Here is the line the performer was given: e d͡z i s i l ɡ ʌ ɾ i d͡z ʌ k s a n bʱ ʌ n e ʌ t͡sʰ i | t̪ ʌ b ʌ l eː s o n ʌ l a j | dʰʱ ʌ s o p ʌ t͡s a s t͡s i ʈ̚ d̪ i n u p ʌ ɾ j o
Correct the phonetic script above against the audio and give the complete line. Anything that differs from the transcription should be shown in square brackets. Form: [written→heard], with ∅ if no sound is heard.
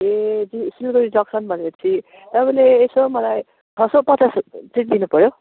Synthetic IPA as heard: e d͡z i s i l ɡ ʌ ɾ i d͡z ʌ k s [a→ʌ] n bʱ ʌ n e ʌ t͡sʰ i | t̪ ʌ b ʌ l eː s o [n→m] ʌ l a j | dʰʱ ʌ s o p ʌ t͡s a s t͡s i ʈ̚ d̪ i n u p ʌ ɾ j o